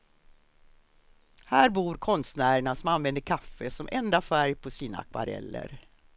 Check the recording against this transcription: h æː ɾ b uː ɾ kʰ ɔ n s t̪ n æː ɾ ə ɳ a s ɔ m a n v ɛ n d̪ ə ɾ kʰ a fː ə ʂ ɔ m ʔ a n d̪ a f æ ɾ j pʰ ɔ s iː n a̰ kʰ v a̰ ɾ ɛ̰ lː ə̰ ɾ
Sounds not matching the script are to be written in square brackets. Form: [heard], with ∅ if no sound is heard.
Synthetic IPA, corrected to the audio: h æː ɾ b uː ɾ kʰ ɔ n s t̪ n æː ɾ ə ɳ a s ɔ m a n v ɛ n d̪ ə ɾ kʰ a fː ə [s] ɔ m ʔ [ɛ] n d̪ a f æ ɾ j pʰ ɔ s iː n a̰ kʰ v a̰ ɾ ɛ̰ lː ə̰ ɾ